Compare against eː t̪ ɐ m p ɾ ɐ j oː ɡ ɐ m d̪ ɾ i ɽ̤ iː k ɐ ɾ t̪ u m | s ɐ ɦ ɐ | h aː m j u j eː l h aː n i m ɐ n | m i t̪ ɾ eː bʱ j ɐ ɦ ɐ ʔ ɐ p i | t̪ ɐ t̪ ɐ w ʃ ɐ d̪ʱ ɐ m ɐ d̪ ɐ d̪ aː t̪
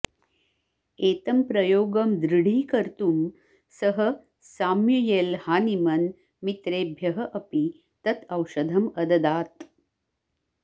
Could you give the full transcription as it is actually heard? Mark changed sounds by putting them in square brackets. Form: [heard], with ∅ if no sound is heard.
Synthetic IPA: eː t̪ ɐ m p ɾ ɐ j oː ɡ ɐ m d̪ ɾ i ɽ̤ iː k ɐ ɾ t̪ u m | s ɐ ɦ ɐ | [s] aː m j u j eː l h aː n i m ɐ n | m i t̪ ɾ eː bʱ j ɐ ɦ ɐ ʔ ɐ p i | t̪ ɐ t̪ ɐ w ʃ ɐ d̪ʱ ɐ m ɐ d̪ ɐ d̪ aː t̪